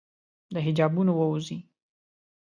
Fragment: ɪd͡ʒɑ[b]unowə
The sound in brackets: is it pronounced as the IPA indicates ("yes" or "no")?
yes